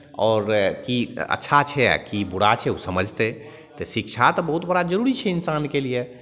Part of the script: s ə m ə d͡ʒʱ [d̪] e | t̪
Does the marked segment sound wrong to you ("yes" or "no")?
yes